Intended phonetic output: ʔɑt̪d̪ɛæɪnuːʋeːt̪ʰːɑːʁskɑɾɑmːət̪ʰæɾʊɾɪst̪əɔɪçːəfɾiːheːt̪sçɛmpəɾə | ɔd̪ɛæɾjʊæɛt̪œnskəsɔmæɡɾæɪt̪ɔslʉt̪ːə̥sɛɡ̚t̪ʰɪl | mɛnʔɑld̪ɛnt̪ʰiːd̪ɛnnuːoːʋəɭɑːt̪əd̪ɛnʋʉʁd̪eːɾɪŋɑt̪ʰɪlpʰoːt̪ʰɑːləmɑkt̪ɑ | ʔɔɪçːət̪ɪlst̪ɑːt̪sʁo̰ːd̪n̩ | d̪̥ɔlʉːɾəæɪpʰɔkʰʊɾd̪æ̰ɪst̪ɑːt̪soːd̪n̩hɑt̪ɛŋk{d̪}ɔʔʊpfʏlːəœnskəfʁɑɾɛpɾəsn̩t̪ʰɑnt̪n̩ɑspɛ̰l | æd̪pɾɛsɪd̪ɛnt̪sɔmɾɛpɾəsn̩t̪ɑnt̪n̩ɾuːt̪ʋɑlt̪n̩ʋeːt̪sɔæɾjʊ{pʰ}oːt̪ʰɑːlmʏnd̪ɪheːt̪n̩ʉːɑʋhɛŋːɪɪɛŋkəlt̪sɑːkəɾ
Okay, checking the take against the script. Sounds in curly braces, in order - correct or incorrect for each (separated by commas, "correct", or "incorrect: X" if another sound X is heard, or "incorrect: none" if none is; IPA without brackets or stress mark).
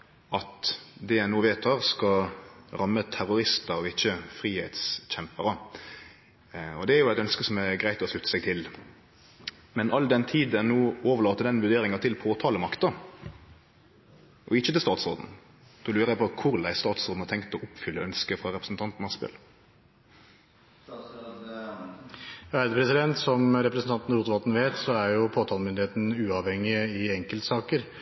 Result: incorrect: t̪, correct